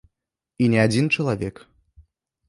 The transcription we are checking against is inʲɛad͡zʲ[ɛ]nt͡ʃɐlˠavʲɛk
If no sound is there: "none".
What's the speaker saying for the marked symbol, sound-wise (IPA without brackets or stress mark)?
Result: i